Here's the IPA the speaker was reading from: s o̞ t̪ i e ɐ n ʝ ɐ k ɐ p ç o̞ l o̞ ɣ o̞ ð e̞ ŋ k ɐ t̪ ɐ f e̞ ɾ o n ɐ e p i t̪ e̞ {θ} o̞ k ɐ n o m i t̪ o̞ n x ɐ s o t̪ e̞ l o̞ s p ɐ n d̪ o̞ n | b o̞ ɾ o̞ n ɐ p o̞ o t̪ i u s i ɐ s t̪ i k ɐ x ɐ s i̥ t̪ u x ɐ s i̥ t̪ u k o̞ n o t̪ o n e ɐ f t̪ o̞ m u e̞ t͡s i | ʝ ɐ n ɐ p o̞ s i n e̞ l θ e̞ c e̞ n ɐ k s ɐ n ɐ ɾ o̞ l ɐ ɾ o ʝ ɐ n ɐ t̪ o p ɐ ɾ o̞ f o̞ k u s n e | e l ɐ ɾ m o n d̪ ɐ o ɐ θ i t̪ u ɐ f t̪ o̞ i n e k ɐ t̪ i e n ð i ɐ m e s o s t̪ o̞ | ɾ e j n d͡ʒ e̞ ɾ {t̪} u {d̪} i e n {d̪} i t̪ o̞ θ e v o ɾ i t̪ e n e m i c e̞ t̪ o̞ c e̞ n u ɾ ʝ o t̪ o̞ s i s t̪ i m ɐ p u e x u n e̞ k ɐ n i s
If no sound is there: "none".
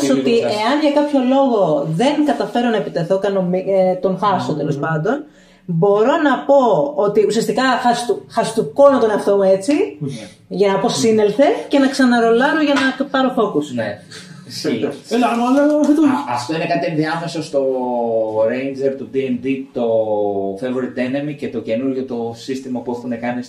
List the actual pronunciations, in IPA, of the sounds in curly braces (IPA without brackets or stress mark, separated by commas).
θ, t̪, d̪, d̪